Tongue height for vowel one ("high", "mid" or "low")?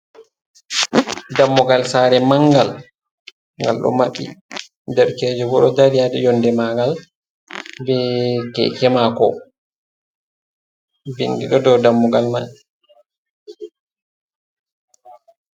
low